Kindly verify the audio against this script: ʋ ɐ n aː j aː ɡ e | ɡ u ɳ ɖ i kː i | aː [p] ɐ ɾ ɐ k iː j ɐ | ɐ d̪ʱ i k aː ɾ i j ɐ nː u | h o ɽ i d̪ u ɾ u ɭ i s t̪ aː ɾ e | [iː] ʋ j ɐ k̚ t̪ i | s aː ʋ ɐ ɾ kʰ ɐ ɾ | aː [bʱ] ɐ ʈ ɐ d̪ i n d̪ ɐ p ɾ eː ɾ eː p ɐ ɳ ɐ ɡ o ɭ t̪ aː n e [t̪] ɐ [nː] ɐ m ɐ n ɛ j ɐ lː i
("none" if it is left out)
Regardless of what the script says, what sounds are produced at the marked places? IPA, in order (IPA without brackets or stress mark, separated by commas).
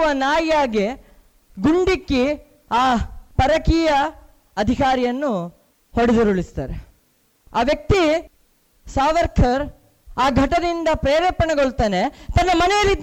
p, aː, ɡʱ, t̪, nː